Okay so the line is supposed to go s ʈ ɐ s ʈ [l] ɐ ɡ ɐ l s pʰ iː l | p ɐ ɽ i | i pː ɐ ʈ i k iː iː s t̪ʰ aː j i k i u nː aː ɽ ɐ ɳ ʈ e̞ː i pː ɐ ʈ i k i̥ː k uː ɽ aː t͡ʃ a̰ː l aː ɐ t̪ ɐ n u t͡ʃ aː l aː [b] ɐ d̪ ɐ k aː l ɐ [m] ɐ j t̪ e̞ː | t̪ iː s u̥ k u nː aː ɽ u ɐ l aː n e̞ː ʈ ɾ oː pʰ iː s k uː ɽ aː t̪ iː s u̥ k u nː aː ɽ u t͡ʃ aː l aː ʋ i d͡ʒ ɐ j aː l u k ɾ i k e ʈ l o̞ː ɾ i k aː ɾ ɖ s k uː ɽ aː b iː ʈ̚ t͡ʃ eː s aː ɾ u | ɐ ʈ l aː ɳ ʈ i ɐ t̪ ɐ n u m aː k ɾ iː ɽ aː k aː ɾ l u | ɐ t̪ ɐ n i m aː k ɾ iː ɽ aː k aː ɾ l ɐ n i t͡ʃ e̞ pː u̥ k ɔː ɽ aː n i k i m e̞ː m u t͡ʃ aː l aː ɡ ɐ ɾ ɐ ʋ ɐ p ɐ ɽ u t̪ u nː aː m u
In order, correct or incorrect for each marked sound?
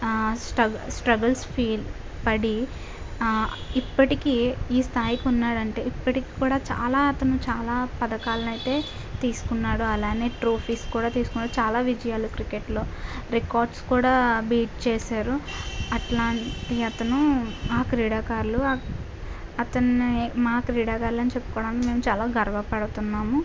incorrect: ɾ, incorrect: p, incorrect: n

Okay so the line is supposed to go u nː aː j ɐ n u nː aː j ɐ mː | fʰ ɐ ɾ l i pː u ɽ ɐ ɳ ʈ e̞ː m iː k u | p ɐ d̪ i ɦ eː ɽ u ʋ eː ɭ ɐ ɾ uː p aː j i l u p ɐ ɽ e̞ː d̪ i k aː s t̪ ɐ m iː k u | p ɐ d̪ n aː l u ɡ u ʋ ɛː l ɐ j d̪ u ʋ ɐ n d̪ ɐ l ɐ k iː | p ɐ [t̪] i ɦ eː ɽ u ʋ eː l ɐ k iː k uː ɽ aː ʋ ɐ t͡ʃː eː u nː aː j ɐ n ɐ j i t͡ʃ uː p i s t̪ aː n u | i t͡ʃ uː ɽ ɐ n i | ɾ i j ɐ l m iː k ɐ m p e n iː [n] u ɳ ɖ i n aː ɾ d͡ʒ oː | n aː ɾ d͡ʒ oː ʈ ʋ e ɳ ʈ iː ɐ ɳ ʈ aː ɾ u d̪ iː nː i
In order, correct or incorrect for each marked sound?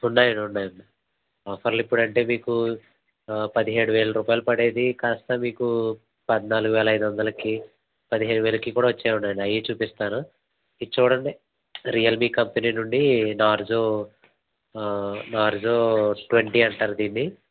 incorrect: d̪, correct

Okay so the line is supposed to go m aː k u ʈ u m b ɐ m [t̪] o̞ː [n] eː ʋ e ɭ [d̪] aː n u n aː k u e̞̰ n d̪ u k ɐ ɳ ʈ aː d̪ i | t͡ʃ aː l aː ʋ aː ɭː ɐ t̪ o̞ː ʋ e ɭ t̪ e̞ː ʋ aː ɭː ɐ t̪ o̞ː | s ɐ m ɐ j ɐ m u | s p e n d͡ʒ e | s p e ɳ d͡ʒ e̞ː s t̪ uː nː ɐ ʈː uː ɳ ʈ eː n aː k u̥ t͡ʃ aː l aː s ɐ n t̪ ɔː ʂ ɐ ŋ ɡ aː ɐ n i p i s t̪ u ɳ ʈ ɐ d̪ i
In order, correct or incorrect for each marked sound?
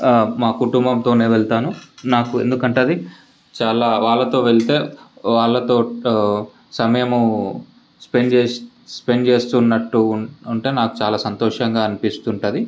correct, correct, incorrect: t̪

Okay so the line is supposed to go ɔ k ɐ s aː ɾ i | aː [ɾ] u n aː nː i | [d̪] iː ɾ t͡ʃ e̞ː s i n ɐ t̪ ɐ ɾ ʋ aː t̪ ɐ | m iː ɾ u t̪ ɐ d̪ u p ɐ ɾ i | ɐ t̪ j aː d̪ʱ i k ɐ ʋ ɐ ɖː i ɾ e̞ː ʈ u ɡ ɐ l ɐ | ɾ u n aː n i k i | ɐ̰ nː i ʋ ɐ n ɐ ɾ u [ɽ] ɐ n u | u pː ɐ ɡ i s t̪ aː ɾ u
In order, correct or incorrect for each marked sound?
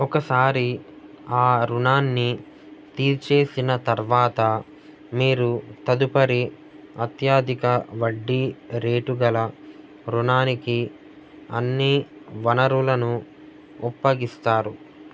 correct, incorrect: t̪, incorrect: l

